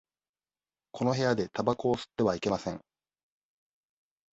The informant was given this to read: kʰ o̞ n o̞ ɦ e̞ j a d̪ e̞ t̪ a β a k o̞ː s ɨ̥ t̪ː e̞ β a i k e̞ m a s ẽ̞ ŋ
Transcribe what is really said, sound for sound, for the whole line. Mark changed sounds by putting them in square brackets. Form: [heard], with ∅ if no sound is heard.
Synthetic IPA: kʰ o̞ n o̞ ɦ e̞ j a d̪ e̞ t̪ a [b] a k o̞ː s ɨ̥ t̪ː e̞ β a i k e̞ m a s ẽ̞ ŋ